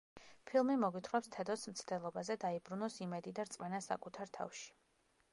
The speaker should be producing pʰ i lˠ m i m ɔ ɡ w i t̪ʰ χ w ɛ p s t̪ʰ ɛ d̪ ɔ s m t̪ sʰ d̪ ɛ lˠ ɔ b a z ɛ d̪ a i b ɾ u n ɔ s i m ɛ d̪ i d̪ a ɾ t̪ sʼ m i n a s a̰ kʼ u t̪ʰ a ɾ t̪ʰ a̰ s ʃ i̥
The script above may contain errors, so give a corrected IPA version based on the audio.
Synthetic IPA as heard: pʰ i lˠ m i m ɔ ɡ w i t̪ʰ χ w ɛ p s t̪ʰ ɛ d̪ ɔ s m t̪ sʰ d̪ ɛ lˠ ɔ b a z ɛ d̪ a i b ɾ u n ɔ s i m ɛ d̪ i d̪ a ɾ t̪ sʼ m ɛ n a s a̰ kʼ u t̪ʰ a ɾ t̪ʰ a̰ f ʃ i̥